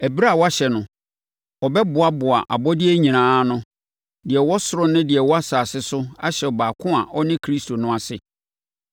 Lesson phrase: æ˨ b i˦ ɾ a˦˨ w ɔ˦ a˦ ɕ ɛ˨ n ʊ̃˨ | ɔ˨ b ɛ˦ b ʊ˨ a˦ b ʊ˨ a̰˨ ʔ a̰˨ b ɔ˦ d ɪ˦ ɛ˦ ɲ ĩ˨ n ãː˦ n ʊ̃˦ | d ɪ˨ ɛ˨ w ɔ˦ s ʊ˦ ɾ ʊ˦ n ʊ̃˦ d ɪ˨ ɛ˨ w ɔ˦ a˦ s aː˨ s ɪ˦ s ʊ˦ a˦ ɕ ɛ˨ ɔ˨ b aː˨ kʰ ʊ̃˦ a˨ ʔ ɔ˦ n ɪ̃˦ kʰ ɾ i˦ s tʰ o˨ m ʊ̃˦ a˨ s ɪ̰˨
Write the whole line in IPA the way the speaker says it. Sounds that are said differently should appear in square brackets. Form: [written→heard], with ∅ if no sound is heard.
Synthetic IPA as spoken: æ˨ b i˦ ɾ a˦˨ w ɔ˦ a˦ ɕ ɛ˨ n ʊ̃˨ | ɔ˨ b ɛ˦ b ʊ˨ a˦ b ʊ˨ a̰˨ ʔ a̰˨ b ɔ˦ d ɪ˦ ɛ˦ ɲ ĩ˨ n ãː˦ n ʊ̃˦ | d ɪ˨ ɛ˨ w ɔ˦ s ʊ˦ ɾ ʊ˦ n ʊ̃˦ d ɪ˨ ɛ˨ w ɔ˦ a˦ s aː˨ s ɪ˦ s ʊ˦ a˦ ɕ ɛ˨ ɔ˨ b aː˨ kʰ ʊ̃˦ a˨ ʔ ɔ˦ n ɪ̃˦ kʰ ɾ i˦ s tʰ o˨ [m→n] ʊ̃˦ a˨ s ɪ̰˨